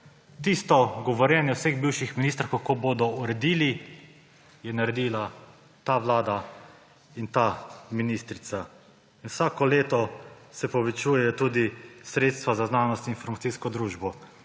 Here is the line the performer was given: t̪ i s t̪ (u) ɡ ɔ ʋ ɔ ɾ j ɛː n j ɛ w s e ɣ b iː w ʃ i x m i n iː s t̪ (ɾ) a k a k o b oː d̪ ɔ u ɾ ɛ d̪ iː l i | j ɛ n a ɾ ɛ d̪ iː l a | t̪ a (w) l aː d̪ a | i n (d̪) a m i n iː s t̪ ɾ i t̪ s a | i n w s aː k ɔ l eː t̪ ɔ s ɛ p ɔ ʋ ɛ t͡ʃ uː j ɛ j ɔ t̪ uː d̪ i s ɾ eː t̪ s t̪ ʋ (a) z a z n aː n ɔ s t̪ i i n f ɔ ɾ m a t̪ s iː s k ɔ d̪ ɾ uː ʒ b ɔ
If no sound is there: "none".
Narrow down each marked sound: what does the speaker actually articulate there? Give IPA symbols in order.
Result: ɔ, ɾ, ʋ, t̪, a

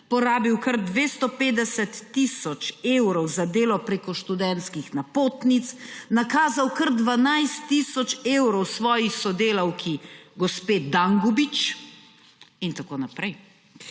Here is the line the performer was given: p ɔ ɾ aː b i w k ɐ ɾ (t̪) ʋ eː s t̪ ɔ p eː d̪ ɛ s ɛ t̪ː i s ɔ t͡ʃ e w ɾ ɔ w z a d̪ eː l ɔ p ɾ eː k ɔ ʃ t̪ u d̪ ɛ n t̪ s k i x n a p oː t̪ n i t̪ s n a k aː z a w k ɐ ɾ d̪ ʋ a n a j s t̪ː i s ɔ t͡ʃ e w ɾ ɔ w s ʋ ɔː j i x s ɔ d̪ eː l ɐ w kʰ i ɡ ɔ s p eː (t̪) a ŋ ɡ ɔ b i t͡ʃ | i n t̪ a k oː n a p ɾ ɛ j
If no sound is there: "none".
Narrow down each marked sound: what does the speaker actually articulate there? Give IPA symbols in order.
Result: d̪, d̪

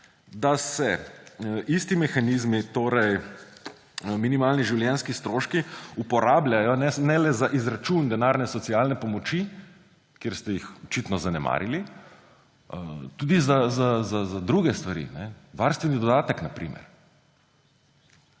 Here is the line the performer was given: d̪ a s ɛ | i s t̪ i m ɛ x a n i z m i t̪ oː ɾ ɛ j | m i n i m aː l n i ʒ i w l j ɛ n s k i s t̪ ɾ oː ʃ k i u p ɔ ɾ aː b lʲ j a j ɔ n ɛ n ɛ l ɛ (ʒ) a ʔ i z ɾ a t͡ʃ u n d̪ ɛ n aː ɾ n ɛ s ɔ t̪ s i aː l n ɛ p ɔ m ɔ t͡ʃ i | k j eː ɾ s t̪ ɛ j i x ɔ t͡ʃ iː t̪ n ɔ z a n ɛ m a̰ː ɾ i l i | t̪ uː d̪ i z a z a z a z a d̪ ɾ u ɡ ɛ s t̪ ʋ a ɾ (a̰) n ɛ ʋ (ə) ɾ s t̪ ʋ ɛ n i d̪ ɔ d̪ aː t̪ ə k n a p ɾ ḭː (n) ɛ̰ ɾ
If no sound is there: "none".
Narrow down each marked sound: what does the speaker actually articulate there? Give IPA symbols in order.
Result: z, ḭ, a, m

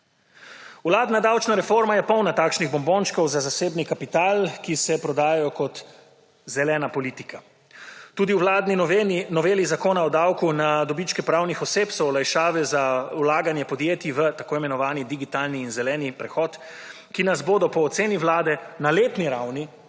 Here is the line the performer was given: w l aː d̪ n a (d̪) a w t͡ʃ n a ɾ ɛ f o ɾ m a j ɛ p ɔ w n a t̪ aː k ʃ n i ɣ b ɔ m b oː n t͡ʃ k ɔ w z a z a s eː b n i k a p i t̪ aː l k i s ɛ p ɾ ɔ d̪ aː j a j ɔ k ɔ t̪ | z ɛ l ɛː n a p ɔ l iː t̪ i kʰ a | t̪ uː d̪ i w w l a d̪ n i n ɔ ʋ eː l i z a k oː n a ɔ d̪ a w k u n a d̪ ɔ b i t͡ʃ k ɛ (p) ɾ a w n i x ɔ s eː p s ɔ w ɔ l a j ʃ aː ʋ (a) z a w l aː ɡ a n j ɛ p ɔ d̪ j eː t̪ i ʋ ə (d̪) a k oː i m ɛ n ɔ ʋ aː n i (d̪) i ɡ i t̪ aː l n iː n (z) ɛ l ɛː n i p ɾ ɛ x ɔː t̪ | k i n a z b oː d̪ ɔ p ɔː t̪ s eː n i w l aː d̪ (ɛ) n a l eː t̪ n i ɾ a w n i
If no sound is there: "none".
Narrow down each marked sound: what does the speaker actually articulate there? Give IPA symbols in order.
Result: d̪, p, ɛ, t̪, d̪, z, ɛ

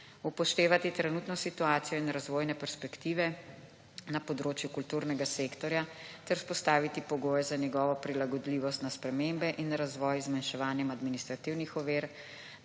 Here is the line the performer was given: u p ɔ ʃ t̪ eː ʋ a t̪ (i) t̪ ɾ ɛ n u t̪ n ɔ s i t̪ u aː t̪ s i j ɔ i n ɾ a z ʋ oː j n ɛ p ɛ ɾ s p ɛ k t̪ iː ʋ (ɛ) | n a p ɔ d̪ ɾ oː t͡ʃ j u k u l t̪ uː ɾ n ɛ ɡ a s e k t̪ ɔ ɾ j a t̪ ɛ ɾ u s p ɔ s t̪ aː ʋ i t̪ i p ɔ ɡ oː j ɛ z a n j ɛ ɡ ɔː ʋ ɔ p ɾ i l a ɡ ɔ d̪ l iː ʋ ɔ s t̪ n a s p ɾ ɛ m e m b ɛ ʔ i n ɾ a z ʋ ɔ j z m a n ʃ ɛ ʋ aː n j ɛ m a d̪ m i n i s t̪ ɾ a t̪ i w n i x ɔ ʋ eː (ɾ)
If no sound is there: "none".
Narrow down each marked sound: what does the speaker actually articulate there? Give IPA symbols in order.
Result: i, ɛ, ɾ

